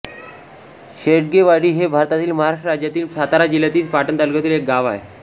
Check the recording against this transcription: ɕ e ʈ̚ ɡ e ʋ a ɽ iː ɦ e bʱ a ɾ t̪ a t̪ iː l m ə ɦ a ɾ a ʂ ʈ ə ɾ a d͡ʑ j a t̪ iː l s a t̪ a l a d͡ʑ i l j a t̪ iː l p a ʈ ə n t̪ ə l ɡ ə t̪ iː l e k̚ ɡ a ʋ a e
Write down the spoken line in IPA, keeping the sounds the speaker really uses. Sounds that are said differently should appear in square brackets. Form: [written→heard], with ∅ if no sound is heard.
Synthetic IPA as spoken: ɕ e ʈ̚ ɡ e ʋ a ɽ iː ɦ e bʱ a ɾ t̪ a t̪ iː l m ə ɦ a ɾ a ʂ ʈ ə ɾ a d͡ʑ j a t̪ iː l s a t̪ a [l→ɾ] a d͡ʑ i l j a t̪ iː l p a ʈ ə n t̪ ə l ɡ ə t̪ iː l e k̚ ɡ a ʋ a e